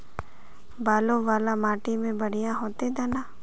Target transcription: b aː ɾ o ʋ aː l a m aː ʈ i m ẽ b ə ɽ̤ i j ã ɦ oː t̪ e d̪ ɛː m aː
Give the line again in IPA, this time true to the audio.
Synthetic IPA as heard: b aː l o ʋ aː l a m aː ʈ i m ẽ b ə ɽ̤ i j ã ɦ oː t̪ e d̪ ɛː n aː